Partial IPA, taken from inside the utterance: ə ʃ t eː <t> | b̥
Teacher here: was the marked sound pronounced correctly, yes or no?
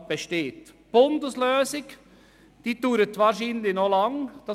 yes